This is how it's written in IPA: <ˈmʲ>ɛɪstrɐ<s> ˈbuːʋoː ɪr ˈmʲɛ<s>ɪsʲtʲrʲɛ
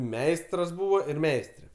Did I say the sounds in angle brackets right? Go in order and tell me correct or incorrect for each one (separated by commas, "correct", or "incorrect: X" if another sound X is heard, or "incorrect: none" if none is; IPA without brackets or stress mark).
correct, correct, incorrect: none